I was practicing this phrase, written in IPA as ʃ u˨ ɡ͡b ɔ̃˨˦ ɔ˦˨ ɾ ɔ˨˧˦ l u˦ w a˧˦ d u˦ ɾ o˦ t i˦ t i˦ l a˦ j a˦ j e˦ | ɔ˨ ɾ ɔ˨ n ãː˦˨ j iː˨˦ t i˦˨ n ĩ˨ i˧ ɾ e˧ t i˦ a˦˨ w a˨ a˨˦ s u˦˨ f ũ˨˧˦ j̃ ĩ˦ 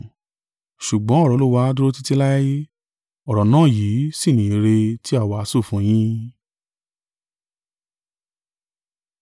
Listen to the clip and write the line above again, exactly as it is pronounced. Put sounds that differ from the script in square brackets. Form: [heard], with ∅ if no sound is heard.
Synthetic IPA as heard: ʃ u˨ ɡ͡b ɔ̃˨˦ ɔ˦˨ ɾ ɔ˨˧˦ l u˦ w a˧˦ d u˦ ɾ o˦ t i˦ t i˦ l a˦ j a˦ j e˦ | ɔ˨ ɾ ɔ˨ n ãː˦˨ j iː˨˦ [s] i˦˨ n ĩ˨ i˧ ɾ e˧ t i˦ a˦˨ w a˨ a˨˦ s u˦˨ f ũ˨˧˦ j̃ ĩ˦

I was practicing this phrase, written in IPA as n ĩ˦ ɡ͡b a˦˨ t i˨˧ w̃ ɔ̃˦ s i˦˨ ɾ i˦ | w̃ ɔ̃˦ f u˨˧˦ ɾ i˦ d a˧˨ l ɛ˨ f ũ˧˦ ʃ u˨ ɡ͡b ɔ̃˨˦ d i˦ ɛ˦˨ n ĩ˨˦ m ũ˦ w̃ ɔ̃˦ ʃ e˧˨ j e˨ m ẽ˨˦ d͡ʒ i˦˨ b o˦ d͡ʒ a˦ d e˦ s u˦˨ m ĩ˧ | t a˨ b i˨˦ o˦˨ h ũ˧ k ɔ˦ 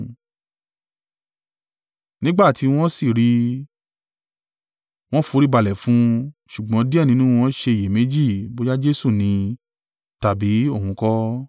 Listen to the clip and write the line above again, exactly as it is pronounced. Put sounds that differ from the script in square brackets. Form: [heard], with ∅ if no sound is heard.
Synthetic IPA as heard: n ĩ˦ ɡ͡b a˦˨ t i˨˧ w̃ ɔ̃˦ s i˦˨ ɾ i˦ | w̃ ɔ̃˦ f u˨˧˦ ɾ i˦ [b] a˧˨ l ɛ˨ f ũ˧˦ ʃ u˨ ɡ͡b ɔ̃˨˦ d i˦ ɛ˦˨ n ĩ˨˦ [n] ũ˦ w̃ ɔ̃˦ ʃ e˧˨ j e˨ m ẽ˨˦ d͡ʒ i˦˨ b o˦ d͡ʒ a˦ [d͡ʒ] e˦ s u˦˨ [n] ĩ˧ | t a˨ b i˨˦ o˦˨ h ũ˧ k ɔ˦

